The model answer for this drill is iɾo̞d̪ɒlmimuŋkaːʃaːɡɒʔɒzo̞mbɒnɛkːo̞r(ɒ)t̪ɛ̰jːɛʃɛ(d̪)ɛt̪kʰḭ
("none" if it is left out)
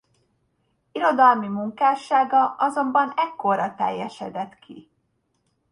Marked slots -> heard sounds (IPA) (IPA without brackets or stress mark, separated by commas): ɒ, d̪